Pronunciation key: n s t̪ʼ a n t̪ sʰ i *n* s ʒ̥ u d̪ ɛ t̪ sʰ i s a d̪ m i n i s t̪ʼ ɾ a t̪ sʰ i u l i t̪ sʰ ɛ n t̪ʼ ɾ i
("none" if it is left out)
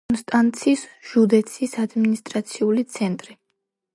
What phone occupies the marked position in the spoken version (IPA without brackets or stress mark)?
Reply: none